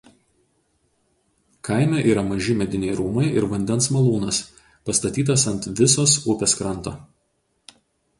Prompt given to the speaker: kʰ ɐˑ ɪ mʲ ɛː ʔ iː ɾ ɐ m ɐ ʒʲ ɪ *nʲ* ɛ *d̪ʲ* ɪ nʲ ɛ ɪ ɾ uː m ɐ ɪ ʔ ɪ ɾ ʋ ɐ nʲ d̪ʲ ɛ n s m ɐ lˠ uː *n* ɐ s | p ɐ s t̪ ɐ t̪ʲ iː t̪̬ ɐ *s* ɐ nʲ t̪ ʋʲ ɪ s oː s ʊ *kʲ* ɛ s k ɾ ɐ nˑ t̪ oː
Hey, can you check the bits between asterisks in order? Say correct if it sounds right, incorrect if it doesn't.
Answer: incorrect: mʲ, correct, correct, correct, incorrect: pʲ

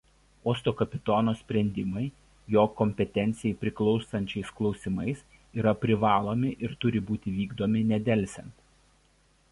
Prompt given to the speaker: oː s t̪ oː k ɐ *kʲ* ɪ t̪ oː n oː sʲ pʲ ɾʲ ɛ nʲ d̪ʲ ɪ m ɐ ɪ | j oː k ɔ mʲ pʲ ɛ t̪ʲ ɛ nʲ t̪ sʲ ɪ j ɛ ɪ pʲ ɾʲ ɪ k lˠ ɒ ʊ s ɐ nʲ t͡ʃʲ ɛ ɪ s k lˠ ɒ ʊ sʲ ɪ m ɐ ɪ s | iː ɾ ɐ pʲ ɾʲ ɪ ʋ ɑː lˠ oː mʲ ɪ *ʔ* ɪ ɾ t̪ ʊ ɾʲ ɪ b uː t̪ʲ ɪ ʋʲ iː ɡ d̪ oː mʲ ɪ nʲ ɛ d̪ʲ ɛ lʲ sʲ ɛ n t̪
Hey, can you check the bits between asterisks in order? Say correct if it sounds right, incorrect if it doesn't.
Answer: incorrect: pʲ, correct

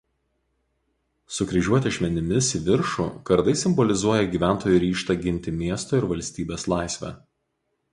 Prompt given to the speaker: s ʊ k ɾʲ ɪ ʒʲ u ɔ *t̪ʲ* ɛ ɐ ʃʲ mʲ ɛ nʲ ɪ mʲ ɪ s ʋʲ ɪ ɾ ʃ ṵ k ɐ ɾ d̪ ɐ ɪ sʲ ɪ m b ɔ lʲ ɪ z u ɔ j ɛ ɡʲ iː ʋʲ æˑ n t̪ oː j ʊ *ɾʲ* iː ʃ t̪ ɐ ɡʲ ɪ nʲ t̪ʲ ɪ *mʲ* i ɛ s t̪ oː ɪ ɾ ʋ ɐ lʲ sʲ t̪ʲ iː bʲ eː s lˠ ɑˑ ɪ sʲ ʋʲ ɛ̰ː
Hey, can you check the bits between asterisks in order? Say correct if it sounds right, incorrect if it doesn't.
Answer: correct, correct, correct

